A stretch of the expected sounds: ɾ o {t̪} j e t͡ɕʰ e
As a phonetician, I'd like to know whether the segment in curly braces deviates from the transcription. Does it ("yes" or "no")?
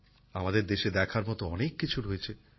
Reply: yes